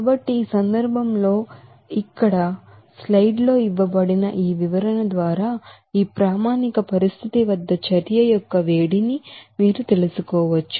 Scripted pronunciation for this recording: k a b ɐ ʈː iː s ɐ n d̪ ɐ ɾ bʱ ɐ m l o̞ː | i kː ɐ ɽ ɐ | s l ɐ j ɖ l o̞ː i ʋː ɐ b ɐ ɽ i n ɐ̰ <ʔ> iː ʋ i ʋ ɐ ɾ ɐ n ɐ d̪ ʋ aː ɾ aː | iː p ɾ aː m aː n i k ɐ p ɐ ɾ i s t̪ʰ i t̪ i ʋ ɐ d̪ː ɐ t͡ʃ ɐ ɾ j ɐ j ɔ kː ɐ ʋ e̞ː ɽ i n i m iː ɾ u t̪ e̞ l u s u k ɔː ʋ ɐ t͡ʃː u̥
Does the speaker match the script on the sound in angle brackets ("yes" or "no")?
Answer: yes